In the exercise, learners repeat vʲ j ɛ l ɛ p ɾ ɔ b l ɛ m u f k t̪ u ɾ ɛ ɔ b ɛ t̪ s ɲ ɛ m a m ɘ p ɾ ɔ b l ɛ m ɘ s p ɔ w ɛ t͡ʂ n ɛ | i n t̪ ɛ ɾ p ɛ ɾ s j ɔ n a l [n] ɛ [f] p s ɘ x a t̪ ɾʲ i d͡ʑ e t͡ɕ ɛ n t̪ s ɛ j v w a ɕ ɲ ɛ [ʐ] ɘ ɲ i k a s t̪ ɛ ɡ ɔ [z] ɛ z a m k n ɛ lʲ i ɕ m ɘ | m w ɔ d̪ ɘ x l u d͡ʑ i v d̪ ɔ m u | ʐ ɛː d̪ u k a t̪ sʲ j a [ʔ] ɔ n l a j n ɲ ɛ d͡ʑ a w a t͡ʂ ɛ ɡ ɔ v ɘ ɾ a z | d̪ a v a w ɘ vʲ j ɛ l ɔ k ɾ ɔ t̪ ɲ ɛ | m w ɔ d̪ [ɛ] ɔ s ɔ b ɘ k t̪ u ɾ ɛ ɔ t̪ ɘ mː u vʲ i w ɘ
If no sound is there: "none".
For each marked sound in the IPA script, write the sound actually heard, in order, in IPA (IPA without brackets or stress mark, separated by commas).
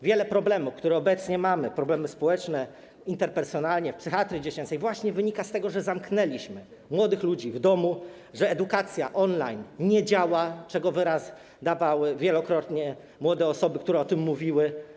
ɲ, f, v, ʐ, ʔ, ɛ